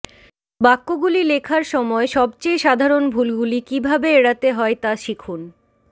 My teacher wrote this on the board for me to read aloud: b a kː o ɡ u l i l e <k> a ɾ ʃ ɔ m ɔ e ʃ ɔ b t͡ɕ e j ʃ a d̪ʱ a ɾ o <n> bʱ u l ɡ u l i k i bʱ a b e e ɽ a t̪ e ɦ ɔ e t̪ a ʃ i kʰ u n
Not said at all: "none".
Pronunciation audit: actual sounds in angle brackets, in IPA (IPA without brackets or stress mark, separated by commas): kʰ, n